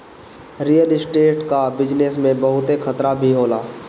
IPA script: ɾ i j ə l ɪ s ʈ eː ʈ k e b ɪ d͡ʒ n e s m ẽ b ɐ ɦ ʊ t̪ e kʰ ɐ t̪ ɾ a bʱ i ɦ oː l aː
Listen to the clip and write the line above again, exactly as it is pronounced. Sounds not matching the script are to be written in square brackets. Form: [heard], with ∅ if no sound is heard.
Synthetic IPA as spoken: ɾ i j ə l ɪ s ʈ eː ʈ k [a] b ɪ d͡ʒ n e s m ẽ b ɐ ɦ ʊ t̪ e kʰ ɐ t̪ ɾ a bʱ i ɦ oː l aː

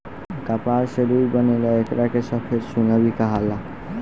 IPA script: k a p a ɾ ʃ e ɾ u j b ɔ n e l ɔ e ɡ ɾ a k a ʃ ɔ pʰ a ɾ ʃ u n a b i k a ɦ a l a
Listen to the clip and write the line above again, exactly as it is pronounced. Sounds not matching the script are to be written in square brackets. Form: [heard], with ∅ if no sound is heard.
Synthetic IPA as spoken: k a p a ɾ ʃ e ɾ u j b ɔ n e l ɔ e [k] ɾ a k [e] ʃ ɔ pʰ [e] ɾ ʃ u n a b i k a ɦ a l a

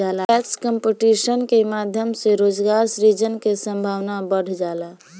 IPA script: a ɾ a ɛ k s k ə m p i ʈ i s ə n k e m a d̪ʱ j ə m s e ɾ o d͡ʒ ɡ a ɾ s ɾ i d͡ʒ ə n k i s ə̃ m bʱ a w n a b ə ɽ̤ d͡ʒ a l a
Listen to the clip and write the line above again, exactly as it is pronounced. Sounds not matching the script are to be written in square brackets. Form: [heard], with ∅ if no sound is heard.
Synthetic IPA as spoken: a [l] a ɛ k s k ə m p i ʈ i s ə n k e m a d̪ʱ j ə m s e ɾ o d͡ʒ ɡ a ɾ s ɾ i d͡ʒ ə n k [e] s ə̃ m bʱ a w n a b ə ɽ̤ d͡ʒ a l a

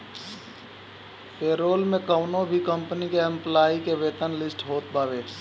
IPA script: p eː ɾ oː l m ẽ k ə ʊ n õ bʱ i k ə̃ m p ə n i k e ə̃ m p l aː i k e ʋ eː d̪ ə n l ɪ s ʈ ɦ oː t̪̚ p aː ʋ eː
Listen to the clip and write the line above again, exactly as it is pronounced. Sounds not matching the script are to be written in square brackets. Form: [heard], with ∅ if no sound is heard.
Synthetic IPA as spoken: p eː ɾ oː l m ẽ k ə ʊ n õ bʱ i k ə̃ m p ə n i k e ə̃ m p l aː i k e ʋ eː [t̪] ə n l ɪ s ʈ ɦ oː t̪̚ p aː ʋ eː

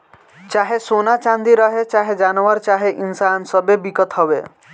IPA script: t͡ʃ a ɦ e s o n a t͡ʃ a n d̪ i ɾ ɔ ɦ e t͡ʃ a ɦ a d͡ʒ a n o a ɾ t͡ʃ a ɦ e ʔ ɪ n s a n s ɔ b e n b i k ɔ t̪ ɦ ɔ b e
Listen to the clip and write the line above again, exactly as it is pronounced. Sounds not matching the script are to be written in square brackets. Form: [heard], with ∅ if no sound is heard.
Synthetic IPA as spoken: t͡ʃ a ɦ e s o n a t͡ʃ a n d̪ i ɾ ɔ ɦ e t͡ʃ a ɦ [e] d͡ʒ a n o a ɾ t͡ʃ a ɦ e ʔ [i] n s a n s ɔ b e [∅] b i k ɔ t̪ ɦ ɔ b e

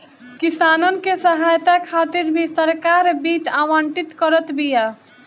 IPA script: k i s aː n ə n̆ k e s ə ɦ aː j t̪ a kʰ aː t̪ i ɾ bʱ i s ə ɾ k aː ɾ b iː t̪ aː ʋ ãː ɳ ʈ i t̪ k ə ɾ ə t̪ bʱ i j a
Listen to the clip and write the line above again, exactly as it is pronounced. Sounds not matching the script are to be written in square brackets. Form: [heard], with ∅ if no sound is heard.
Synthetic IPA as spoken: k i s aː n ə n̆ k e s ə ɦ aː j t̪ a kʰ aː t̪ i ɾ bʱ i s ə ɾ k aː ɾ b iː t̪ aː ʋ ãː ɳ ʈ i t̪ k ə ɾ ə t̪ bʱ i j a

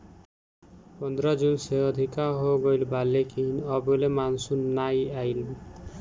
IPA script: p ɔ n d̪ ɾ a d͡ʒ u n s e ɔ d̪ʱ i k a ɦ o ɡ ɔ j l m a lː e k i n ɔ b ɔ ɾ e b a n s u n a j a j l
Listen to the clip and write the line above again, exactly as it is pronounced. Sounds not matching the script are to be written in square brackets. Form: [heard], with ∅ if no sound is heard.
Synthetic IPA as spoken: p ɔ n d̪ ɾ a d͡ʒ u n s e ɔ d̪ʱ i k a ɦ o ɡ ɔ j l [b] a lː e k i n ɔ b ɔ [l] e [m] a n s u n a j a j l

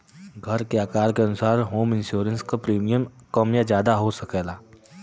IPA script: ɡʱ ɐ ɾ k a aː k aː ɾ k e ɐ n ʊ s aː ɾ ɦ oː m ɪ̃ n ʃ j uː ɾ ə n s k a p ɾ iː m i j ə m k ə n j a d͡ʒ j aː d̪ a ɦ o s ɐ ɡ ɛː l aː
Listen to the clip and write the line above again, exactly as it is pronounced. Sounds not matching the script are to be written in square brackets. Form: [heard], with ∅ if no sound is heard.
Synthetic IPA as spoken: ɡʱ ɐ ɾ k [e] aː k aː ɾ k e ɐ n ʊ s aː ɾ ɦ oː m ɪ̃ n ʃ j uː ɾ ə n s k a p ɾ iː m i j ə m k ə [m] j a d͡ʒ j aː d̪ a ɦ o s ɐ [k] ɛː l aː

